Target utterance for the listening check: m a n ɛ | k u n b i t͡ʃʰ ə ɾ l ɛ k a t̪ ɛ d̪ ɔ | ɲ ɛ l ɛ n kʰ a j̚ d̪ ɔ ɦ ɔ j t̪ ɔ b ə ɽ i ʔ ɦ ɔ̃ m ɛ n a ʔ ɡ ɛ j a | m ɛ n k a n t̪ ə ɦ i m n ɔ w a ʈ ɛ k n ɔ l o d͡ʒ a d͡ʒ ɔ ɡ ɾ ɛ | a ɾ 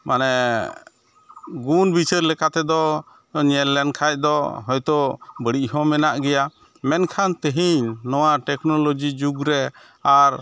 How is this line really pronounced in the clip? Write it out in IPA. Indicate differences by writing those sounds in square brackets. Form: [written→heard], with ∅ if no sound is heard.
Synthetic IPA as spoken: m a n ɛ | [k→ɡ] u n b i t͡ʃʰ ə ɾ l ɛ k a t̪ ɛ d̪ ɔ | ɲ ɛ l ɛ n kʰ a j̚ d̪ ɔ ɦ ɔ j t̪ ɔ b ə ɽ i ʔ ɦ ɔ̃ m ɛ n a ʔ ɡ ɛ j a | m ɛ n [k→kʰ] a n t̪ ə ɦ i [m→ɲ] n ɔ w a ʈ ɛ k n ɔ l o d͡ʒ [a→i] d͡ʒ [ɔ→u] ɡ ɾ ɛ | a ɾ